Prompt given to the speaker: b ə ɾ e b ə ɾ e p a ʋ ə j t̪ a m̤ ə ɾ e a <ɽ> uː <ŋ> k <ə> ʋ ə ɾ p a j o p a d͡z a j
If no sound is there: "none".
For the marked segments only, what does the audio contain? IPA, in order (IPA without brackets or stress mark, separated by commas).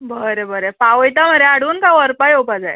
ɽ, n, a